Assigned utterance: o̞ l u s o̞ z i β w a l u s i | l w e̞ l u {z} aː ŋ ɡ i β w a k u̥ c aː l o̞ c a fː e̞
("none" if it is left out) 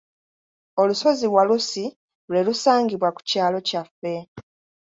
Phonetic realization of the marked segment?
s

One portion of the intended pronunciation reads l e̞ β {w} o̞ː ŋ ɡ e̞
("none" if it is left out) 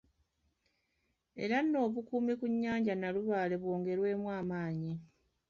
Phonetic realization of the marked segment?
w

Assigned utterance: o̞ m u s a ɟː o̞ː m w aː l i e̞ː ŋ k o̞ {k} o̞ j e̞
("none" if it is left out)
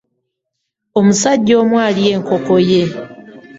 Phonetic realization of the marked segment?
k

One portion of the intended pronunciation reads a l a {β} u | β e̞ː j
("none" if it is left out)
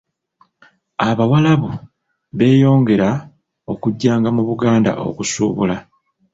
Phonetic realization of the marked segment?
β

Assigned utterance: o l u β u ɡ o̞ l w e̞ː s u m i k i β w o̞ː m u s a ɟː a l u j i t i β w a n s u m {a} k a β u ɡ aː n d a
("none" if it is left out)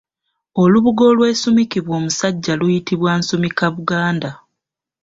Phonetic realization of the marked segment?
i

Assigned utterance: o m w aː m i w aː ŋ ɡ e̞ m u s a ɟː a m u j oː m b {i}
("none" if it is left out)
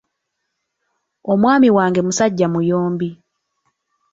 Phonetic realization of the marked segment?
i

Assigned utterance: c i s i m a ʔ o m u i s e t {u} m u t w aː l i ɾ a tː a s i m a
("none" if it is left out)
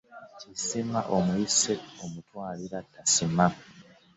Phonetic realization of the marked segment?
o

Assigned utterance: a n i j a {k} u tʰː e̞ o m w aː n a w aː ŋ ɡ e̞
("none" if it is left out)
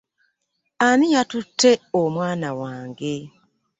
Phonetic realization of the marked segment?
t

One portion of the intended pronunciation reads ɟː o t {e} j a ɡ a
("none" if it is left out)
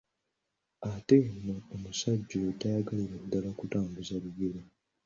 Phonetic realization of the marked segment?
a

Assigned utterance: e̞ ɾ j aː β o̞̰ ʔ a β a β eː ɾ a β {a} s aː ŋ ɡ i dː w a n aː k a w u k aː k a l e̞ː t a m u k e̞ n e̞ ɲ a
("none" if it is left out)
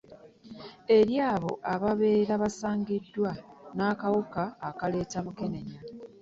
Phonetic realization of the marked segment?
a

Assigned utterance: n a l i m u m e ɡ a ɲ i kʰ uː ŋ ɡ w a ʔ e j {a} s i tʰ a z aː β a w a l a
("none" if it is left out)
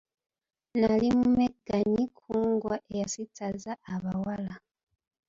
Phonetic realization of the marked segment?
a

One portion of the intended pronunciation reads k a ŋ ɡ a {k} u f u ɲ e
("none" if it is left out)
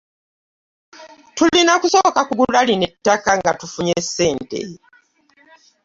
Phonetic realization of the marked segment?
t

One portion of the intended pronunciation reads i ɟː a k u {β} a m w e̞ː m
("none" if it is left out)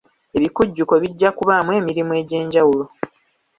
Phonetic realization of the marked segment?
β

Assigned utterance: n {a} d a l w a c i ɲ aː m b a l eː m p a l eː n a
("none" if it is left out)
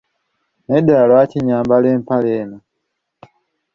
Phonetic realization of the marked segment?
e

